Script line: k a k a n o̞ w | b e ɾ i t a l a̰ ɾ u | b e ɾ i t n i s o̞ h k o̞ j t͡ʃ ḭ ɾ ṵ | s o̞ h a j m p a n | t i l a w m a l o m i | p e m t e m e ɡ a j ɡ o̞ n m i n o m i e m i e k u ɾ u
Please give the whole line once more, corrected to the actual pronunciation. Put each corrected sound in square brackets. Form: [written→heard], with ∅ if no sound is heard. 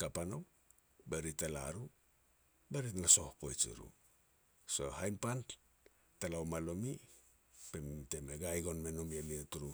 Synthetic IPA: k a [k→p] a n o̞ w | b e ɾ i t a l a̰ ɾ u | b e ɾ i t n [i→a] s o̞ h k o̞ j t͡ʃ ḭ ɾ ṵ | s o̞ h a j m p a n | t [i→a] l a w m a l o m i | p e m t e m e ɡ a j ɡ o̞ n m [i→e] n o m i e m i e [k→t] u ɾ u

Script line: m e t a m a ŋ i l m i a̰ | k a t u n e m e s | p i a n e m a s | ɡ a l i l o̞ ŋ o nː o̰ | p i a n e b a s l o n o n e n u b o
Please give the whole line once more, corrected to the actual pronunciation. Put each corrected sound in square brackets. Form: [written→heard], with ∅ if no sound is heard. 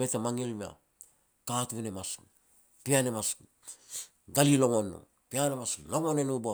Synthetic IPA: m e t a m a ŋ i l m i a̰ | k a t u n e m [e→a] s | p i a n e m a s | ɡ a l i l o̞ ŋ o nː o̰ | p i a n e [b→m] a s l o [n→ŋ] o n e n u b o

